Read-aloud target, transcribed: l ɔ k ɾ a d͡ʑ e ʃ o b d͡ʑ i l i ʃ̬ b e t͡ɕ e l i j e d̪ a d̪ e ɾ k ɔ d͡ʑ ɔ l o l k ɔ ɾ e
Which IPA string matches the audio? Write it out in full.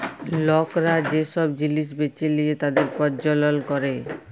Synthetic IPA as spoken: l ɔ k ɾ a d͡ʑ e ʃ ɔ b d͡ʑ i l i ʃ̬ b e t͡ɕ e l i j e t̪ a d̪ e ɾ p ɔ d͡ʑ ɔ l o l k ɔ ɾ e